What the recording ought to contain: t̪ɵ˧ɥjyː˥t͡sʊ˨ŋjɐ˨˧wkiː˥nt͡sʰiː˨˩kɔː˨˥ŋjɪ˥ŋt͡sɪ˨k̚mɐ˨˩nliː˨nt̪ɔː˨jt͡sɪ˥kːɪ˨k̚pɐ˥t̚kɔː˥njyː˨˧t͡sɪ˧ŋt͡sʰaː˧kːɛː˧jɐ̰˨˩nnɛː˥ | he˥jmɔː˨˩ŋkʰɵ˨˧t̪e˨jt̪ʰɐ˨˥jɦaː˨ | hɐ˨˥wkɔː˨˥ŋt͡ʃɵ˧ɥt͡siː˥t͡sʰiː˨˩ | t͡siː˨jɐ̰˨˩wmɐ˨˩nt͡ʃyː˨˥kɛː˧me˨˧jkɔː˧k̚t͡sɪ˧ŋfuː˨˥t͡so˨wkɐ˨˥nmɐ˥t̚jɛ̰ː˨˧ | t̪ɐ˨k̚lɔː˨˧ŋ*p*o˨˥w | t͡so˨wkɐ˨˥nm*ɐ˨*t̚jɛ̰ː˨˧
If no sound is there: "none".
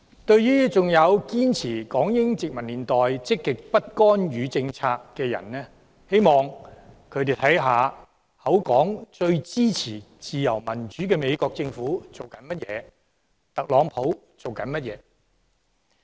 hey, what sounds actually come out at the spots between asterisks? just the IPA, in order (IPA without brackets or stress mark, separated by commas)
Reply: pʰ, ɐ˥